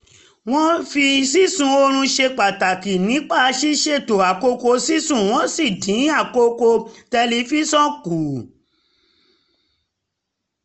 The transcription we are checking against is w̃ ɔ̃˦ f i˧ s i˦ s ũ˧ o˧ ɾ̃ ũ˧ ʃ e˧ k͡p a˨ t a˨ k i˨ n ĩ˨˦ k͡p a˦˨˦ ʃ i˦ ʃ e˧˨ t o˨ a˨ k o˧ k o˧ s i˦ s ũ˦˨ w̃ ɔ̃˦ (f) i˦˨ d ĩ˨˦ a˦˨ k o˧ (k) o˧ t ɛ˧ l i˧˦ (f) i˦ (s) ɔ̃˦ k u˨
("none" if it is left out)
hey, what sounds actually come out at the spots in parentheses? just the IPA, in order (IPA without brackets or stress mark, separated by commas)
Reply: s, k, f, s